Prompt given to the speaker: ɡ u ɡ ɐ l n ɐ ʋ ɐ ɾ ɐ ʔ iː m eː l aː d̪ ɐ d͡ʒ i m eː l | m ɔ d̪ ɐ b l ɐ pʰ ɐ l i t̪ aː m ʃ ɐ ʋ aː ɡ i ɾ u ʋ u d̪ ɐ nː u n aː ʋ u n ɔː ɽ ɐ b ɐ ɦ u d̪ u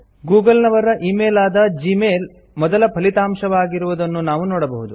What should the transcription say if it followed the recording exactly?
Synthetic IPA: ɡ uː ɡ ɐ l n ɐ ʋ ɐ ɾ ɐ ʔ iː m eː l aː d̪ ɐ d͡ʒ i m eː l | m ɔ d̪ ɐ l ɐ pʰ ɐ l i t̪ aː m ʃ ɐ ʋ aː ɡ i ɾ u ʋ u d̪ ɐ nː u n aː ʋ u n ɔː ɽ ɐ b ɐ ɦ u d̪ u

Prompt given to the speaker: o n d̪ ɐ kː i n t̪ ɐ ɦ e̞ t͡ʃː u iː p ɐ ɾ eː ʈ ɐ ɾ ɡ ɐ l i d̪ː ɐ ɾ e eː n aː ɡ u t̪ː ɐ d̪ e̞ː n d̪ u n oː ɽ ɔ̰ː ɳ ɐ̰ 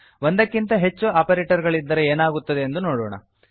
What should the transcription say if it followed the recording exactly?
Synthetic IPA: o n d̪ ɐ kː i n t̪ ɐ ɦ e̞ t͡ʃː u aː p ɐ ɾ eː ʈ ɐ ɾ ɡ ɐ ɭ i d̪ː ɐ ɾ e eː n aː ɡ u t̪ː ɐ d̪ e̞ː n d̪ u n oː ɽ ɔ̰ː ɳ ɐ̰

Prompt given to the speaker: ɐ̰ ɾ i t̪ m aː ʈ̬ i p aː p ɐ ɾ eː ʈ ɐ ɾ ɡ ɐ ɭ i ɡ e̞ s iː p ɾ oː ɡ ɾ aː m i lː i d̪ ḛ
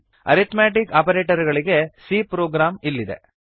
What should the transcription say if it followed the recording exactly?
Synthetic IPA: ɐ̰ ɾ i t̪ m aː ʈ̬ i k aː p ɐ ɾ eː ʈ ɐ ɾ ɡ ɐ ɭ i ɡ e̞ s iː p ɾ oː ɡ ɾ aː m i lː i d̪ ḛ

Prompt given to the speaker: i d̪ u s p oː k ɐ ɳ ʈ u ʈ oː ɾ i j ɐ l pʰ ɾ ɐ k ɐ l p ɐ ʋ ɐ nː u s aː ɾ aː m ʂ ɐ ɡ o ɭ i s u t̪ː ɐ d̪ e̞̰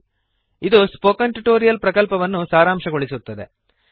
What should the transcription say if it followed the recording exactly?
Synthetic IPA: i d̪ u s p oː k ɐ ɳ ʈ u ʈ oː ɾ i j ɐ l p ɾ ɐ k ɐ l p ɐ ʋ ɐ nː u s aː ɾ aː m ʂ ɐ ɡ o ɭ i s u t̪ː ɐ d̪ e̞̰

